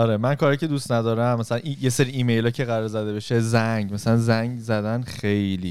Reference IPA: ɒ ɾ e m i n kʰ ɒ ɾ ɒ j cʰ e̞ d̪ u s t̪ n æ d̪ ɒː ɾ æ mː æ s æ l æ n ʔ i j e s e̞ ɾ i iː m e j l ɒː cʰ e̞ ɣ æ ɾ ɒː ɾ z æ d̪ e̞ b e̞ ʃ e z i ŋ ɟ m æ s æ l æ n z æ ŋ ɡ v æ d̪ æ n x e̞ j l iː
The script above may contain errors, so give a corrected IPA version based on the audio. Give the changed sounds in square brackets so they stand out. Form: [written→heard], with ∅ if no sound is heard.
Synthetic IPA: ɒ ɾ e m [i→æ] n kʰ ɒ ɾ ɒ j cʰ e̞ d̪ u s t̪ n æ d̪ ɒː ɾ æ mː æ s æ l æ n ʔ i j e s e̞ ɾ i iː m e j l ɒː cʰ e̞ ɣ æ ɾ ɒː ɾ z æ d̪ e̞ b e̞ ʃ e z [i→æ] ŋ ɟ m æ s æ l æ n z æ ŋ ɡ [v→z] æ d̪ æ n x e̞ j l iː